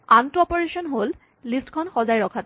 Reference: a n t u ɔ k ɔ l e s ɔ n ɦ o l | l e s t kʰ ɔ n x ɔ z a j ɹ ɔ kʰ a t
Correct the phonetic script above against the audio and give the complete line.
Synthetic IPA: a n t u ɔ p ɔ ɹ e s ɔ n ɦ o l | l i s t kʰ ɔ n x ɔ z a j ɹ ɔ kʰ a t